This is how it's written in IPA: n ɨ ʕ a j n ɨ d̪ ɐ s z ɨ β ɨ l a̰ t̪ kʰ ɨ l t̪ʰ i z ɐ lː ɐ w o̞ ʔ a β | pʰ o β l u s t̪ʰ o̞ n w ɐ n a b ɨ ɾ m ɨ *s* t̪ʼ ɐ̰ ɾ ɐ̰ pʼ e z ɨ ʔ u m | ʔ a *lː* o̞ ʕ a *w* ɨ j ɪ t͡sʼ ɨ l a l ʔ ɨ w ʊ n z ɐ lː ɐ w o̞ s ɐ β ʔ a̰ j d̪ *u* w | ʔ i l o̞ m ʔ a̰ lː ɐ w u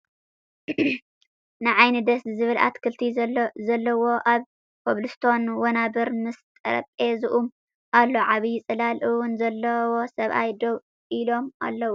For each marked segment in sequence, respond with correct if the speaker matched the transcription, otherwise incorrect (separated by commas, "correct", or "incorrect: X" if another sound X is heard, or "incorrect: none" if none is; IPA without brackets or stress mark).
correct, correct, incorrect: β, incorrect: o